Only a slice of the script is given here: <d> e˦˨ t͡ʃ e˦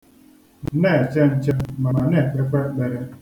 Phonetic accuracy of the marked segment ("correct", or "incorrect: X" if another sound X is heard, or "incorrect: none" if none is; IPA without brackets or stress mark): incorrect: n